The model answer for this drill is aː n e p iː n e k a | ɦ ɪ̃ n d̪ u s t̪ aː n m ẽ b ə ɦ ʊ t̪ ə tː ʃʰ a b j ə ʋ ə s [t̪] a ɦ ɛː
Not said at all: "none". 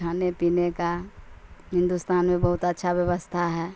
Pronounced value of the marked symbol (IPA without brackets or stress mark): t̪ʰ